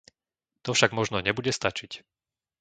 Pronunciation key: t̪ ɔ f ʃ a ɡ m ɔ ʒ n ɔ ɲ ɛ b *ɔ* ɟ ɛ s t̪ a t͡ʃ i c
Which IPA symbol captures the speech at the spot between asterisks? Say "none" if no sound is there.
u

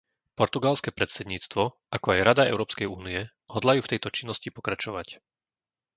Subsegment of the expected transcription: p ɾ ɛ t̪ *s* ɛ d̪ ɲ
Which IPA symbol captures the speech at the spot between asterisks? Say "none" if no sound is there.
s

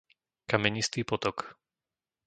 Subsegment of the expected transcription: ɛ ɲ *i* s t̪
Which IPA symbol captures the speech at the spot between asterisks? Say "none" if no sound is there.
i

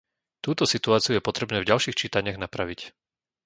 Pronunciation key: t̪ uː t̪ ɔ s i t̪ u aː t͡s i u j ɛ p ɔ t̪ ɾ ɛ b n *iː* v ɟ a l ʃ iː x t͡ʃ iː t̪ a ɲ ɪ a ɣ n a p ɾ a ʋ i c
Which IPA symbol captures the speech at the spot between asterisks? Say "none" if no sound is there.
ɛː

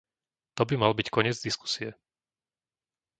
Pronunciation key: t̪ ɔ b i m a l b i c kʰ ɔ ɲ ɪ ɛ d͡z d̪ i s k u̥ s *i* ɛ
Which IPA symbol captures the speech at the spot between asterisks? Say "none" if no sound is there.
i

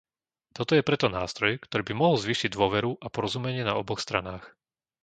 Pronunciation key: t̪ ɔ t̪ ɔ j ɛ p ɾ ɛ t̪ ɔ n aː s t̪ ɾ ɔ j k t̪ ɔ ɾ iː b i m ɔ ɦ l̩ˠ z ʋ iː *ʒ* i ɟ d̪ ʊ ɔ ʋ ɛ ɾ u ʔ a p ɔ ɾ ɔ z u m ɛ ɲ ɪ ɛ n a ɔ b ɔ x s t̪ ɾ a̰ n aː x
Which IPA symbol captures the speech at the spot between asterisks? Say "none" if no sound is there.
ʃ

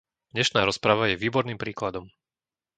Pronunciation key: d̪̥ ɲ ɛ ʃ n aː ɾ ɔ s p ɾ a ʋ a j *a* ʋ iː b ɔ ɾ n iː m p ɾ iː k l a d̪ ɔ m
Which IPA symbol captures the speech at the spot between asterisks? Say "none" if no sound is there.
ɛ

